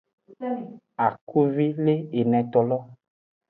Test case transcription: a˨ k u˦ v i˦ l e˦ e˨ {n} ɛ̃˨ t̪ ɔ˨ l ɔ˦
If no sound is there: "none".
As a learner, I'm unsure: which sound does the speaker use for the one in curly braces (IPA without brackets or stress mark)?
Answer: n